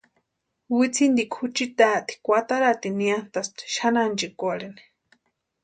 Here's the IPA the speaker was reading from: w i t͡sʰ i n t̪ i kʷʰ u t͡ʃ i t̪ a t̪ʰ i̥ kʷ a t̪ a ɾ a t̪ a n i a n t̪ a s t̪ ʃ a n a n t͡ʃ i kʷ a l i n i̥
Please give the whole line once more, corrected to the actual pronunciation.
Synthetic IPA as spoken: w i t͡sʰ i n d̪ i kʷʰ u t͡ʃ i t̪ a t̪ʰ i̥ kʷ a t̪ a ɾ a t̪ i n i a n t̪ a s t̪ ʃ a n a n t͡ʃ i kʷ a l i n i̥